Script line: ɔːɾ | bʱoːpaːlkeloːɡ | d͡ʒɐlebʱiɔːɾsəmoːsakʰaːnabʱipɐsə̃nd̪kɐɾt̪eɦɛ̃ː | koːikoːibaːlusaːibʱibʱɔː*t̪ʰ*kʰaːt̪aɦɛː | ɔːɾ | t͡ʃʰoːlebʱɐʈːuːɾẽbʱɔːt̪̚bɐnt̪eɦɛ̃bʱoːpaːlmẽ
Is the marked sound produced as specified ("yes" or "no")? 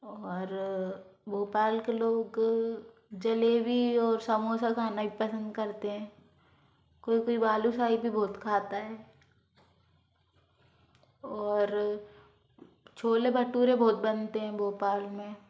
no